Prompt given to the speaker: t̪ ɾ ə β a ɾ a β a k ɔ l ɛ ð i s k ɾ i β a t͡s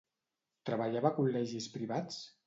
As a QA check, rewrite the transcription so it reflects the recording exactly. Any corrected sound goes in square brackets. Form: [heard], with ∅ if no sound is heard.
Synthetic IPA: t̪ ɾ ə β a [ʎ] a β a k [u] l ɛ [ʒ] i s [p] ɾ i β a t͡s